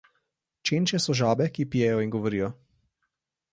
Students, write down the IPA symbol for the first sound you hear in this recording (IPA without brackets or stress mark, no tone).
t͡ʃ